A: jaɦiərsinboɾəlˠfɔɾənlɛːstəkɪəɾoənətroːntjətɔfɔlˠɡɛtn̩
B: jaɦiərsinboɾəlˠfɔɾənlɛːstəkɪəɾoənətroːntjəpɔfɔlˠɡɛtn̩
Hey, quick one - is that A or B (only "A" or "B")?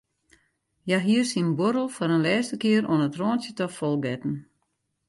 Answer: A